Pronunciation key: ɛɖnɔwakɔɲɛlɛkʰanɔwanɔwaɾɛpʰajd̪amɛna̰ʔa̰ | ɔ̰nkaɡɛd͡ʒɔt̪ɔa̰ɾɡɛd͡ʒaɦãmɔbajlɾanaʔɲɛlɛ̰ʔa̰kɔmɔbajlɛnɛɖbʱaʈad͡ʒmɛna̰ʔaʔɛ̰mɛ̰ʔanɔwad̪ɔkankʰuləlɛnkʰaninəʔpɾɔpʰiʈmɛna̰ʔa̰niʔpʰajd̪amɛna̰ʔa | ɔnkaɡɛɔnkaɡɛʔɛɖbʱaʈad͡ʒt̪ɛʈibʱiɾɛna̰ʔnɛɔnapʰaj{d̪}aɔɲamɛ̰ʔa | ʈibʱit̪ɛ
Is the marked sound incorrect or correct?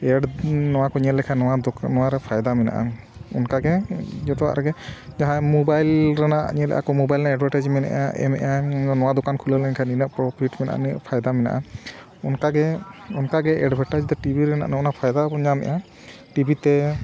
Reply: correct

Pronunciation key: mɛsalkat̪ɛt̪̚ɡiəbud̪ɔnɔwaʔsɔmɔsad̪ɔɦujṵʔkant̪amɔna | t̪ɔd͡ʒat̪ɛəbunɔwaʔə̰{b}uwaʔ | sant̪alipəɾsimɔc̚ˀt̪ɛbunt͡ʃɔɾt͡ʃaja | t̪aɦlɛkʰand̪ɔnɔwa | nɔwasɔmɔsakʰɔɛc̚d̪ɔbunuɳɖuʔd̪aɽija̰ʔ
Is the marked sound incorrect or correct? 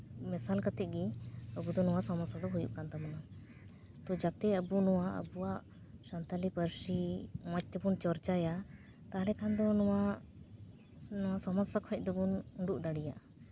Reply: correct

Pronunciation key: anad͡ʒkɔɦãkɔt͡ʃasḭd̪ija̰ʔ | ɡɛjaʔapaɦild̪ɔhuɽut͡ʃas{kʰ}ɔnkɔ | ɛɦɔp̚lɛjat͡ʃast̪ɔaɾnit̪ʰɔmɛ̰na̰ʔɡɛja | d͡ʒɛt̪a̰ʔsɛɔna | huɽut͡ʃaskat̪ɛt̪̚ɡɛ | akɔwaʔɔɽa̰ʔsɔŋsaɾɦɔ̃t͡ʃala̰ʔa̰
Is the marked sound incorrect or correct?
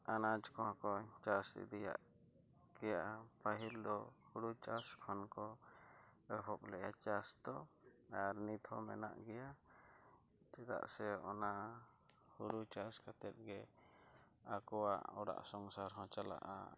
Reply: correct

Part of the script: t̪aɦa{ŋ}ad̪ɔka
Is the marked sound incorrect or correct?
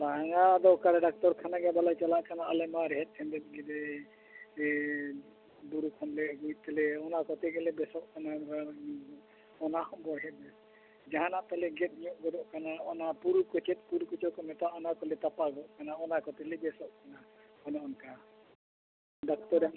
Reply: correct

